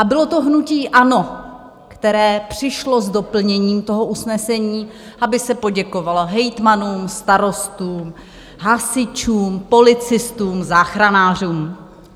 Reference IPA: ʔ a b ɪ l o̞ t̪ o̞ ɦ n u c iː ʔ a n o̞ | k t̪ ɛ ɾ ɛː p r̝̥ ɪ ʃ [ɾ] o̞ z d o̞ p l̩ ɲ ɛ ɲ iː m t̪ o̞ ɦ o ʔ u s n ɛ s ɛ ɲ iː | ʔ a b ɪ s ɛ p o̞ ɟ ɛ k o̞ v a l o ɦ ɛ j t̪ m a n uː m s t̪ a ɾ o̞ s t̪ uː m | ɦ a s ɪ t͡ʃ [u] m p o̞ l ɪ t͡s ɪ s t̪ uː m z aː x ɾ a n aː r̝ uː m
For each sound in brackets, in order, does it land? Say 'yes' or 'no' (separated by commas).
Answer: no, no